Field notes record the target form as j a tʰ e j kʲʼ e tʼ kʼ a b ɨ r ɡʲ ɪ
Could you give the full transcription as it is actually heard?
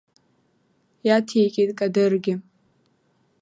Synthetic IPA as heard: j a tʰ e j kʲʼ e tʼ kʼ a d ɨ r ɡʲ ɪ